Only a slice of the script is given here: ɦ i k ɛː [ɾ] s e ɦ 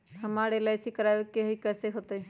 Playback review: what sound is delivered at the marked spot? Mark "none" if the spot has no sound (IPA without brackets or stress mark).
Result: none